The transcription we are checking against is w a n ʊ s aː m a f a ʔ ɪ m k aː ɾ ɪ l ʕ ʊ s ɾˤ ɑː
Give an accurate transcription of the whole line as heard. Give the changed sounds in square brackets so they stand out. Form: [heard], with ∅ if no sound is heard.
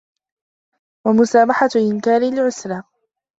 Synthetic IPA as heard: w a [m] ʊ s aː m a [ħ] a ʔ ɪ [n] k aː ɾ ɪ l ʕ ʊ s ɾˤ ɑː